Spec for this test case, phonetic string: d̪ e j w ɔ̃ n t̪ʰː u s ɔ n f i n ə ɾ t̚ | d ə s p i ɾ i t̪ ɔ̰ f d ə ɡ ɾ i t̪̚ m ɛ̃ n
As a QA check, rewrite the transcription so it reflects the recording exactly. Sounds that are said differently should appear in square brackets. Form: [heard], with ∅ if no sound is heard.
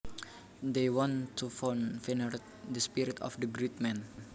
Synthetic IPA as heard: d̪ e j w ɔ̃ n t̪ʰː u [f] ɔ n f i n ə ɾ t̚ | d ə s p i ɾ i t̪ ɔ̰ f d ə ɡ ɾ i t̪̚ m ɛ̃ n